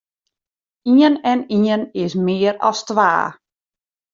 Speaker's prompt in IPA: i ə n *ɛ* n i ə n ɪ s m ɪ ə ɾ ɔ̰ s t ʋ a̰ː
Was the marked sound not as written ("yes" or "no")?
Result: no